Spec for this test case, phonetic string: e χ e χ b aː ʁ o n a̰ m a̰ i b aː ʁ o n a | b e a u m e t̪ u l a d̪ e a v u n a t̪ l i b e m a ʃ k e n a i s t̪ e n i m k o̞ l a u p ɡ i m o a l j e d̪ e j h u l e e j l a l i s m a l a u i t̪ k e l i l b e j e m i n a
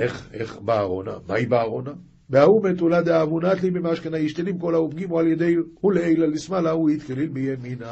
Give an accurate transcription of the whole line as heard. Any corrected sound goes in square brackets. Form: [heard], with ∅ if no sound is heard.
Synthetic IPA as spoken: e χ e χ b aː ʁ o n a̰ m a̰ i b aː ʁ o n a | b e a u m e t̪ u l a d̪ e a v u n a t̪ l i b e m a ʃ k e n a i [ʃ] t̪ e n i m k o̞ l a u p ɡ i m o a l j e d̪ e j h u l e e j l a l i s m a l a u i t̪ k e l i l b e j e m i n a